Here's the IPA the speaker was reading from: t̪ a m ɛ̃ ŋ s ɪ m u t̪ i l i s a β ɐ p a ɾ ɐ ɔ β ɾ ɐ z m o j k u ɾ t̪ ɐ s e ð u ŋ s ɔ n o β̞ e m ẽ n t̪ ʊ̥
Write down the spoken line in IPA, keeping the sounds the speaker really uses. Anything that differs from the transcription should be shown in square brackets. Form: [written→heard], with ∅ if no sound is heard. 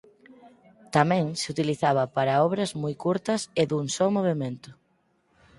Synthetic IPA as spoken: t̪ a m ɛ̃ ŋ s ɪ [m→∅] u t̪ i l i [s→θ] a β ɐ p a ɾ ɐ ɔ β ɾ ɐ z m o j k u ɾ t̪ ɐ s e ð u ŋ s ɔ [n→m] o β̞ e m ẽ n t̪ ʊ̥